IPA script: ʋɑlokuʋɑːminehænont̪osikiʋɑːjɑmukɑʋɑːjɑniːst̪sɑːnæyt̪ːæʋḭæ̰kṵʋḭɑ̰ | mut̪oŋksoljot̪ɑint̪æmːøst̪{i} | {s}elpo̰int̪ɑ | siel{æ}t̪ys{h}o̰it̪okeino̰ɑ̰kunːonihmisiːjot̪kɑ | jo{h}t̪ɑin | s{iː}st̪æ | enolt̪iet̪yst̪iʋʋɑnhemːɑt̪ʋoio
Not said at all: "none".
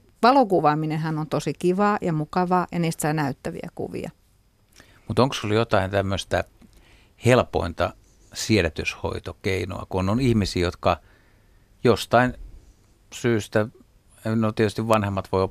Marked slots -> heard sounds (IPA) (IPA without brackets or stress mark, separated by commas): æ, h, æ, h, s, yː